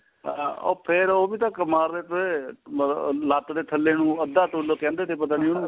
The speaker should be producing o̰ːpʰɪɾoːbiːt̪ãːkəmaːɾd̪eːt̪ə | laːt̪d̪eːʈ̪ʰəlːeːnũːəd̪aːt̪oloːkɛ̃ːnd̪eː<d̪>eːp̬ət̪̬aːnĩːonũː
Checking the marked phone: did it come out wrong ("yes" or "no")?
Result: yes